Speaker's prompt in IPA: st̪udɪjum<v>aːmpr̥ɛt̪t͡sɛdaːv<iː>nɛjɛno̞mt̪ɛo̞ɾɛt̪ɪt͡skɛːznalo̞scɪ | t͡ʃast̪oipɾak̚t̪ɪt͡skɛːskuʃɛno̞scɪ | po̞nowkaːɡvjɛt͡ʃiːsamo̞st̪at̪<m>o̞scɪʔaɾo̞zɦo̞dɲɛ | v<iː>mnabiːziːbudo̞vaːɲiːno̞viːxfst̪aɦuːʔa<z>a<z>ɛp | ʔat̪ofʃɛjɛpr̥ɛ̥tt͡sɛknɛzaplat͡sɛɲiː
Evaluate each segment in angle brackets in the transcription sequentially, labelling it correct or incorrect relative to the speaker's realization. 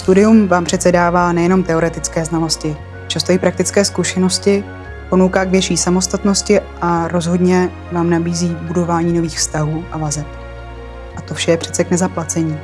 correct, incorrect: aː, incorrect: n, incorrect: aː, incorrect: v, correct

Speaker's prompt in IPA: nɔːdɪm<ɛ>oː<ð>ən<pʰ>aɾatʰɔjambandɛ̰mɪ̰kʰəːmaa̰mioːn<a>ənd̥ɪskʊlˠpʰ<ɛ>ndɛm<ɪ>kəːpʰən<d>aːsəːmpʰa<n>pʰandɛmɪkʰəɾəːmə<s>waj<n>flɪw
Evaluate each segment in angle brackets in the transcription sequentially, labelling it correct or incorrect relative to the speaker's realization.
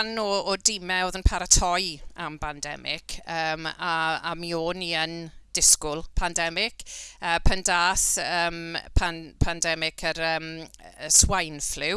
correct, correct, correct, incorrect: i, incorrect: a, correct, correct, correct, correct, correct

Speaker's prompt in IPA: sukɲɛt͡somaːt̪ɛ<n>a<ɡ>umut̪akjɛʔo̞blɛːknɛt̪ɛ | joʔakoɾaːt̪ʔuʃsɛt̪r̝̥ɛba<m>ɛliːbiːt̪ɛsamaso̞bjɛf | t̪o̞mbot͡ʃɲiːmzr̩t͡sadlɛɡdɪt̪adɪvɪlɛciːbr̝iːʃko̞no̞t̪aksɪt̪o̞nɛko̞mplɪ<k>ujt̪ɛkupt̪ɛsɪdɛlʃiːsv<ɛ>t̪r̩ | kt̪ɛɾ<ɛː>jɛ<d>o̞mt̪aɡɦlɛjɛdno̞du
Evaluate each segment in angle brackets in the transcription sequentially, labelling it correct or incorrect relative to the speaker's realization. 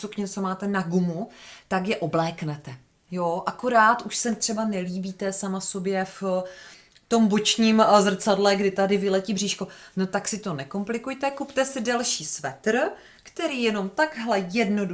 correct, correct, incorrect: n, correct, correct, incorrect: iː, incorrect: n

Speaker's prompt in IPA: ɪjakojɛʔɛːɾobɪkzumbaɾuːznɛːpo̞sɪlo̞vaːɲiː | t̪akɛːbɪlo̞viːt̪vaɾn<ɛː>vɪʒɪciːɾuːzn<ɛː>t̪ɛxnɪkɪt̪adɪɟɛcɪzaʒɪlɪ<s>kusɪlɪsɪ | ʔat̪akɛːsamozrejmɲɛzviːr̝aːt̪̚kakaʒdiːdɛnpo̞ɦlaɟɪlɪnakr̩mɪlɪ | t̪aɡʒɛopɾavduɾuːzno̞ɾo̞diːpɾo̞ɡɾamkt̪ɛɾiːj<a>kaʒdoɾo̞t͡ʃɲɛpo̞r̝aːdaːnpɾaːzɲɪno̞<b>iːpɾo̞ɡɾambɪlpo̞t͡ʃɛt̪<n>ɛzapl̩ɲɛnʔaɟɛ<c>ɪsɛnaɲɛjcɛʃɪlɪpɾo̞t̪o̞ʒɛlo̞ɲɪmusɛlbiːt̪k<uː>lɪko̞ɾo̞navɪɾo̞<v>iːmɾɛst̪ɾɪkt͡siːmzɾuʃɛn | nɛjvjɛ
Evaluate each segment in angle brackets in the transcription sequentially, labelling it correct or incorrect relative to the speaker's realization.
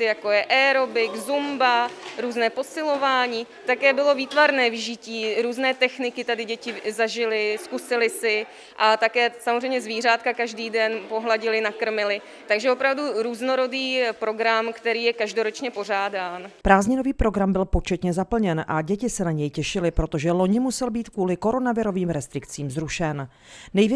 correct, correct, correct, incorrect: ɛ, incorrect: v, incorrect: ɲ, correct, correct, correct

